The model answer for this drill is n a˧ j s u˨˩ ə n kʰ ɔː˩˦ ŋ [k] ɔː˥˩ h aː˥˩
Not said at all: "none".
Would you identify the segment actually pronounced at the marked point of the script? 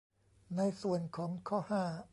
kʰ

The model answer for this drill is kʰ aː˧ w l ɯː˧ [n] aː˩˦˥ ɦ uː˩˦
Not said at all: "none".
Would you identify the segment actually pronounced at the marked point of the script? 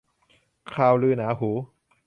n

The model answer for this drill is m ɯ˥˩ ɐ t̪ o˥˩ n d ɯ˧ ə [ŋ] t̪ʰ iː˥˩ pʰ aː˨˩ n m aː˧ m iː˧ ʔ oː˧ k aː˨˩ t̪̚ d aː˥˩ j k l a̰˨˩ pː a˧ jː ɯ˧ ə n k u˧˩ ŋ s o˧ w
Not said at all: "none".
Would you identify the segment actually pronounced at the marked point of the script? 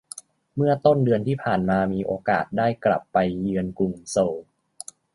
n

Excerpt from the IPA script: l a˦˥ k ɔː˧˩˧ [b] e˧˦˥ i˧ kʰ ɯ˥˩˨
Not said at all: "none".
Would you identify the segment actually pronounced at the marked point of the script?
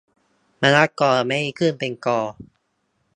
m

